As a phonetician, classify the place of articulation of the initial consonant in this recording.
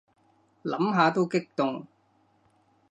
alveolar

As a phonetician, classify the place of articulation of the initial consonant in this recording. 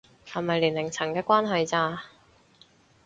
glottal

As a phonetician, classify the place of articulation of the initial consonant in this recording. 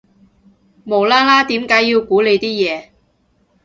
labial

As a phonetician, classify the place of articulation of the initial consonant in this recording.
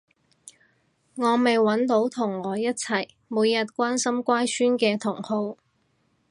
velar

